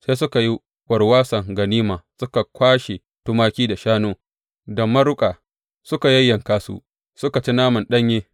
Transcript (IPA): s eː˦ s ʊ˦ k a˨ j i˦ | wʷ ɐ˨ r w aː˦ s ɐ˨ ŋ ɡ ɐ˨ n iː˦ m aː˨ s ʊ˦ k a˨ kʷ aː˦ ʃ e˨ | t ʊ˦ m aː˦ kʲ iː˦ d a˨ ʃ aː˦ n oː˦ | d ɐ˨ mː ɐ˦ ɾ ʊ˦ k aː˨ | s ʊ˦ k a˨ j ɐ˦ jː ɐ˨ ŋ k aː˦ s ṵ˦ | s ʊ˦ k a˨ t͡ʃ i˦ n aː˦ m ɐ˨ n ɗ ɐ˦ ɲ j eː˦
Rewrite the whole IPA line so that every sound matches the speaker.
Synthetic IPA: s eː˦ s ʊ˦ k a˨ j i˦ | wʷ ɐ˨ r w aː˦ s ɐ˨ ŋ ɡ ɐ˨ n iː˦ m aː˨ s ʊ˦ k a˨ kʷ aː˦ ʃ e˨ | t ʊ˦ m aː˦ kʲ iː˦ d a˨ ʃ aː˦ n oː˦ | d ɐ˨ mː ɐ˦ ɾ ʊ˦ kʼ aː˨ | s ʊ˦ k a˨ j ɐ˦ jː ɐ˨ ŋ k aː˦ s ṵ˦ | s ʊ˦ k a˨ t͡ʃ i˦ n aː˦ m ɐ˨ n ɗ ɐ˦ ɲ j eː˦